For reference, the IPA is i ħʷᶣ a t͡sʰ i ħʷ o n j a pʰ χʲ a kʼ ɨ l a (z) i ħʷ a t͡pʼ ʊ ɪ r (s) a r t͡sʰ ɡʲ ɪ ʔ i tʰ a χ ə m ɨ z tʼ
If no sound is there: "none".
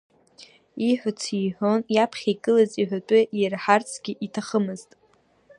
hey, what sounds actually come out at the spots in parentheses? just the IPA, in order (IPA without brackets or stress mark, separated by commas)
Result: z, ħ